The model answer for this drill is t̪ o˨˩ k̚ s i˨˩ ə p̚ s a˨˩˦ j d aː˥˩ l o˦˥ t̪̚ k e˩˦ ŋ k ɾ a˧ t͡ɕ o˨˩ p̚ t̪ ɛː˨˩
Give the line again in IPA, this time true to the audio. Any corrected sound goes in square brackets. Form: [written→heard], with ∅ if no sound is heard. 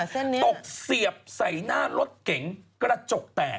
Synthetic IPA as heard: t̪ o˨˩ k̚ s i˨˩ ə p̚ s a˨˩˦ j [d→n] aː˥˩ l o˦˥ t̪̚ k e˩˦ ŋ k ɾ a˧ t͡ɕ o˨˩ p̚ t̪ ɛː˨˩